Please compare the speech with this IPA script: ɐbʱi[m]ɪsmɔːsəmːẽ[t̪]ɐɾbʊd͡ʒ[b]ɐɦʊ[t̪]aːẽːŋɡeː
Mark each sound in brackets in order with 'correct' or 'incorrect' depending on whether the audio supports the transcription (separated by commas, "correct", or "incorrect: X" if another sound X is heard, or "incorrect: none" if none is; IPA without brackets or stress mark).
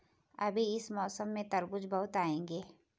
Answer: incorrect: none, correct, correct, correct